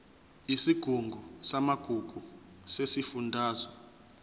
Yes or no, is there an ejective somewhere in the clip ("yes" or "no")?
no